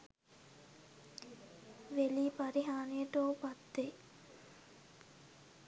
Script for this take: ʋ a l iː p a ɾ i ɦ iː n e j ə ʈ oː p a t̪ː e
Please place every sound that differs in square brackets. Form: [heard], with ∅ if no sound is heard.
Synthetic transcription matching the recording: ʋ [e] l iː p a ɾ i ɦ [aː] n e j ə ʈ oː p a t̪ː e

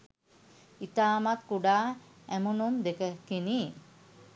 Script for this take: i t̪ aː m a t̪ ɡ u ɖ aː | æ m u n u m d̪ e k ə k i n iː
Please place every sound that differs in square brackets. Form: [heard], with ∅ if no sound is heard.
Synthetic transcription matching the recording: i t̪ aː m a t̪ [k] u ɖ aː | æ m u n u m d̪ e k ə k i n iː

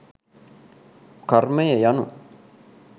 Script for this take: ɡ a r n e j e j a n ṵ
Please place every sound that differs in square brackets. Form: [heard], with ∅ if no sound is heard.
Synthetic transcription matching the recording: [k] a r [m] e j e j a n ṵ

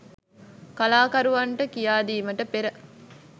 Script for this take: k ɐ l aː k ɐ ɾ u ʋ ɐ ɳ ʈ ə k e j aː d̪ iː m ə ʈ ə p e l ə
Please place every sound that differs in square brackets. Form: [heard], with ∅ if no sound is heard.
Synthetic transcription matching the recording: k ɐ l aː k ɐ ɾ u ʋ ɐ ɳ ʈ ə k [i] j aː d̪ iː m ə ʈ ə p e [ɾ] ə

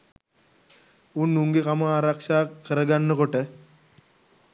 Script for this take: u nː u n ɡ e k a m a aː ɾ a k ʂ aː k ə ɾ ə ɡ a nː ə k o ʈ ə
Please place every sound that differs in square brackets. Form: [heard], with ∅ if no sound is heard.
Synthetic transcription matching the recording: u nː u [ŋ] ɡ e k a m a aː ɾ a k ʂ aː k ə ɾ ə ɡ a nː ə k o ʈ ə

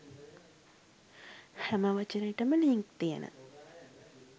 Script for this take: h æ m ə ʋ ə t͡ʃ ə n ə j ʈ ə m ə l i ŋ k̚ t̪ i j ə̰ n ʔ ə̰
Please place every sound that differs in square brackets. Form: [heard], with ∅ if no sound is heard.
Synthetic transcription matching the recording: h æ m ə ʋ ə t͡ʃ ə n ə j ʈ ə m ə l i ŋ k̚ t̪ i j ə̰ n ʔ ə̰

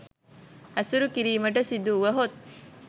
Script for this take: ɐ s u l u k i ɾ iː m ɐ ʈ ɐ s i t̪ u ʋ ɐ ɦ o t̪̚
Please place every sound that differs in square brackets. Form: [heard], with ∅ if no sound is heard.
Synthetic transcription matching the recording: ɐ s u [ɾ] u k i ɾ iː m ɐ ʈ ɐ s i [d̪] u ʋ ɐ ɦ o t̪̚

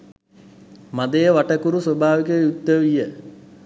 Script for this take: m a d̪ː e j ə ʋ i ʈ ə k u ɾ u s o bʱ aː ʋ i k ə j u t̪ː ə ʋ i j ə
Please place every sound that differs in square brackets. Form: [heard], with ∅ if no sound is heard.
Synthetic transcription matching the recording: m a [d̪] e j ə ʋ [a] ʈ ə k u ɾ u s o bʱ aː ʋ i k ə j u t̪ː ə ʋ i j ə

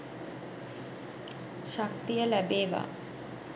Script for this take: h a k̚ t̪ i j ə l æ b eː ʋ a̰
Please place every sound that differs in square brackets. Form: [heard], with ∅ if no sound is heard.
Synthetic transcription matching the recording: [ʃ] a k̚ t̪ i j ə l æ b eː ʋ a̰

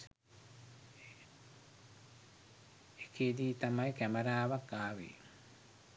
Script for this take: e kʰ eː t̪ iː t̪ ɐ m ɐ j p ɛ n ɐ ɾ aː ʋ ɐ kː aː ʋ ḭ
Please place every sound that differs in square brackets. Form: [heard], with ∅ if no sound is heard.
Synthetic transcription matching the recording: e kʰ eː [d̪] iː t̪ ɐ m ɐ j [k] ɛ [m] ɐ ɾ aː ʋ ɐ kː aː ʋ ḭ

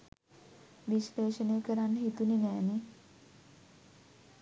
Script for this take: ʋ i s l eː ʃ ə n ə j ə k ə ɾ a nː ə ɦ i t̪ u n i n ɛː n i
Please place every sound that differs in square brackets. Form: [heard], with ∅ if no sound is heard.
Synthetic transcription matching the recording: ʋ i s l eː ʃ ə n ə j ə k ə ɾ a nː ə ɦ i t̪ u n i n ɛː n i

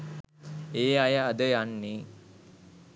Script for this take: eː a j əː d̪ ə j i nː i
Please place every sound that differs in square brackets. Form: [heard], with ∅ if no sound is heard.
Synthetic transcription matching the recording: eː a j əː d̪ ə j [a] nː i

